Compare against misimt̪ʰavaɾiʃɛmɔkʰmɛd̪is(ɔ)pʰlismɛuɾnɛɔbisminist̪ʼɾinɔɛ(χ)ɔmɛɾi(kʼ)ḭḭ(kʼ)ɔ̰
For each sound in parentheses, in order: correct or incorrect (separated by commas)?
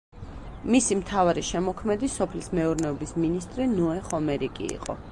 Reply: correct, correct, correct, incorrect